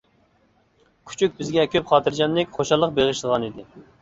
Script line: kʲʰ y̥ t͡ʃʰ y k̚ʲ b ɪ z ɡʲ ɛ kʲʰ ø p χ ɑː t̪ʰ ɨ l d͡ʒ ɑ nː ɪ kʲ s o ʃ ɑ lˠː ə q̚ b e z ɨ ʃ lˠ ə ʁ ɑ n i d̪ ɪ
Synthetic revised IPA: kʲʰ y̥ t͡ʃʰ y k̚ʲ b ɪ z ɡʲ ɛ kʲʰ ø p χ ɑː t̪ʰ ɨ ɾ d͡ʒ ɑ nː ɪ kʲ χ o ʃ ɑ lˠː ə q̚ b e ʁ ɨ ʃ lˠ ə ʁ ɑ n i d̪ ɪ